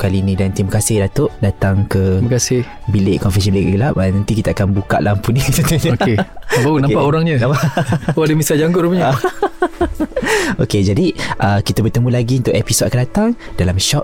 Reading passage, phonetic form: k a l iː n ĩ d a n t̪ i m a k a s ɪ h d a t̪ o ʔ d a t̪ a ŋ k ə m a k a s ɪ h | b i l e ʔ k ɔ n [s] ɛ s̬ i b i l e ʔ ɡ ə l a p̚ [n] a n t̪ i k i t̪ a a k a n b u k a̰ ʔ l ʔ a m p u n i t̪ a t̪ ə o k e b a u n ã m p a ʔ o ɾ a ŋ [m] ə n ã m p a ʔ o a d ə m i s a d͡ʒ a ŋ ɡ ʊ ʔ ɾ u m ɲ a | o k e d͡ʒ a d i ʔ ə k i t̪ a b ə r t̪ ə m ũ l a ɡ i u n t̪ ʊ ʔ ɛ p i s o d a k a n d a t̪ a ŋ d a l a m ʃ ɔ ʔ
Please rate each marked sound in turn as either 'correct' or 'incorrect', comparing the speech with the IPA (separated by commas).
incorrect, correct, incorrect